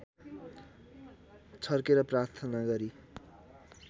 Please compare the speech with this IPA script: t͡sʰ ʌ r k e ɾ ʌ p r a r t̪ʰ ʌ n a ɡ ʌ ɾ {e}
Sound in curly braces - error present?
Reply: yes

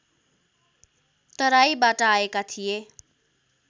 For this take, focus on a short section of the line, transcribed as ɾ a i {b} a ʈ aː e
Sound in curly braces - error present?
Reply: no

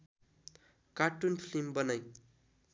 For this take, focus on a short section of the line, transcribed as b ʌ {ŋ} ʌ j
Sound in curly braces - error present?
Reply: yes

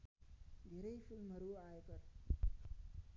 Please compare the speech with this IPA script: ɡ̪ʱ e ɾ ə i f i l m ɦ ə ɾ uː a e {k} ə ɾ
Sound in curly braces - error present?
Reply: no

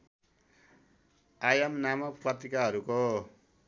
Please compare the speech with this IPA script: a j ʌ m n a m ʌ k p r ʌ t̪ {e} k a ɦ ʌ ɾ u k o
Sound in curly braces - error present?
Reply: yes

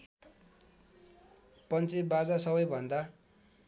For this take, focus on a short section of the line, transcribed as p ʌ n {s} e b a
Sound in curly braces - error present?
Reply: yes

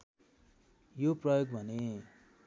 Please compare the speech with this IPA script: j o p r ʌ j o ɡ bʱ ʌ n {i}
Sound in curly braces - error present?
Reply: yes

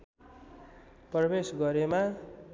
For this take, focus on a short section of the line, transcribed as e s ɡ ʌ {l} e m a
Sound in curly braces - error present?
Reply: yes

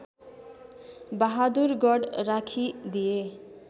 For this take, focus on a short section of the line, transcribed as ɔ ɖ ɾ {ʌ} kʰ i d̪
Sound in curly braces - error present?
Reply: yes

